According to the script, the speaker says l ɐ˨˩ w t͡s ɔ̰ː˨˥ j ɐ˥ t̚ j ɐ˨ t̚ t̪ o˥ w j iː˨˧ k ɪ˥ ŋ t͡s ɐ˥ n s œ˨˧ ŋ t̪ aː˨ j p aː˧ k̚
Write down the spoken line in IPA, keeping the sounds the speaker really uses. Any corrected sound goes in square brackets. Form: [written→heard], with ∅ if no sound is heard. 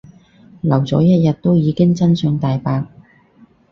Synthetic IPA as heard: l ɐ˨˩ w t͡s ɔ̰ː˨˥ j ɐ˥ t̚ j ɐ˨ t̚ t̪ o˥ w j iː˨˧ k ɪ˥ ŋ t͡s ɐ˥ n s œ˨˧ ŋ t̪ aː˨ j p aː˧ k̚